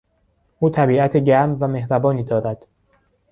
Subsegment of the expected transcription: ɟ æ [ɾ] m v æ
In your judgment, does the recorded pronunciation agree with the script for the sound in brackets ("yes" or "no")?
yes